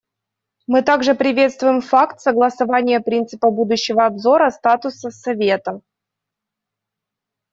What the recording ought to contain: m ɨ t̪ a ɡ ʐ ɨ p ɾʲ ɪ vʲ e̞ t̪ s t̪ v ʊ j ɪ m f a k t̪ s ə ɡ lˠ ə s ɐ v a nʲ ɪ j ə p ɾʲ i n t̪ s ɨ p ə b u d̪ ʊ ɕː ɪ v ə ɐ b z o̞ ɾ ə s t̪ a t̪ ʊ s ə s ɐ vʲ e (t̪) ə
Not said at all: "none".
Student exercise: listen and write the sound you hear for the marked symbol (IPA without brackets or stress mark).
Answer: t̪